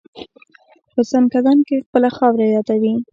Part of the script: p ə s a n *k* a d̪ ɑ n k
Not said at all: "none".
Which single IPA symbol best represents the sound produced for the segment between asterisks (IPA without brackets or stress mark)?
k